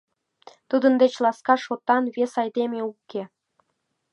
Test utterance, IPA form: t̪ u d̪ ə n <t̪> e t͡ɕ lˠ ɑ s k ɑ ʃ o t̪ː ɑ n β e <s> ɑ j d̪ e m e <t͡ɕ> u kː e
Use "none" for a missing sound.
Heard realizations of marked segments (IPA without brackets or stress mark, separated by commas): d̪, s, none